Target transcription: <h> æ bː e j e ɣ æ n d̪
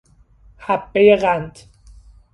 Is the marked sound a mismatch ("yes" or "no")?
no